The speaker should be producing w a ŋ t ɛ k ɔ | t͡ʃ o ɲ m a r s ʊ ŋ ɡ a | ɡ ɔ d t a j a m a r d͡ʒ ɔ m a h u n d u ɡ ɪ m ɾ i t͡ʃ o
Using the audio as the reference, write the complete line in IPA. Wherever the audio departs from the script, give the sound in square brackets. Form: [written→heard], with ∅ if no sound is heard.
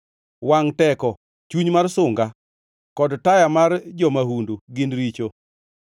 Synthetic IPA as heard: w a ŋ t ɛ k ɔ | t͡ʃ [o→u] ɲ m a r s ʊ ŋ ɡ a | [ɡ→k] ɔ d t a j a m a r d͡ʒ ɔ m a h u n d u ɡ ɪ [m→n] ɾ i t͡ʃ o